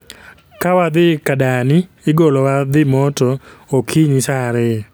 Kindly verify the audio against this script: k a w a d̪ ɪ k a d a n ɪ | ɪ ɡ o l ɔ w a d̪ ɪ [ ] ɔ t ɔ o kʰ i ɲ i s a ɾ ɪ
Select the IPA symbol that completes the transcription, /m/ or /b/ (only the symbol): m